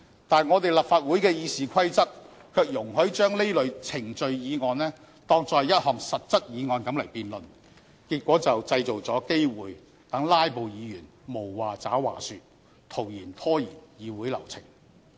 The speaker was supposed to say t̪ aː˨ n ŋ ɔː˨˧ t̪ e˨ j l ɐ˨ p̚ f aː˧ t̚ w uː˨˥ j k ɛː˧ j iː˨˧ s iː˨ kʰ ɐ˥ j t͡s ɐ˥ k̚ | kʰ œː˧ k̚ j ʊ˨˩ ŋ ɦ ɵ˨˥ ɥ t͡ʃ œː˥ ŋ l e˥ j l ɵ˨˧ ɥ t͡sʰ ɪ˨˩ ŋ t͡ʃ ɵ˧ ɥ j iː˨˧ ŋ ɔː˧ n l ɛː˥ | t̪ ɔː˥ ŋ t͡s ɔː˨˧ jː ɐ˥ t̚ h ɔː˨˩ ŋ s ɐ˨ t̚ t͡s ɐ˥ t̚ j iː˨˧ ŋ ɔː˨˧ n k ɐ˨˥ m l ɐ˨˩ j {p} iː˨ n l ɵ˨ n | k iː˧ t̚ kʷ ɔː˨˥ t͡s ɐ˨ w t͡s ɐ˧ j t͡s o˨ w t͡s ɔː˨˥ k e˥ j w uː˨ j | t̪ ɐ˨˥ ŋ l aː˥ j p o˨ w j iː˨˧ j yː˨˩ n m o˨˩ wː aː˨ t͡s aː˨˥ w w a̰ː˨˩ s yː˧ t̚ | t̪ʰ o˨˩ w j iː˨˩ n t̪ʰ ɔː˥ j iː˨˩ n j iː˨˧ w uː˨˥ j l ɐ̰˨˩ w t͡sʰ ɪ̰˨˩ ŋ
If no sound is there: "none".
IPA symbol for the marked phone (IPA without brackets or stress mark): p